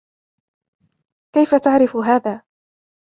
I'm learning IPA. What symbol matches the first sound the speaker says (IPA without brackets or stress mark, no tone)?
k